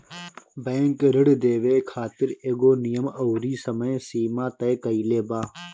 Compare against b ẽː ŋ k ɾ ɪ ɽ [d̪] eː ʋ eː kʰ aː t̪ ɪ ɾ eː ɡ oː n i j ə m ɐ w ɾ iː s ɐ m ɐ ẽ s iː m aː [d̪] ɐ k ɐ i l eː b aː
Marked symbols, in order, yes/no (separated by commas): yes, no